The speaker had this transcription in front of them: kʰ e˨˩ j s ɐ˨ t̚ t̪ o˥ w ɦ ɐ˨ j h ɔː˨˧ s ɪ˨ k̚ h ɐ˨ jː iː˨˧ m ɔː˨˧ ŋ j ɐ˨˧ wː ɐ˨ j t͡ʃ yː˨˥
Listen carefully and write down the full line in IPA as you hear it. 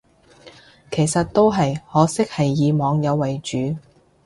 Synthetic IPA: kʰ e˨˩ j s ɐ˨ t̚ t̪ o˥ w ɦ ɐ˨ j h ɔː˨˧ s ɪ˥ k̚ h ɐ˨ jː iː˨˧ m ɔː˨˧ ŋ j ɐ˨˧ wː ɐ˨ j t͡ʃ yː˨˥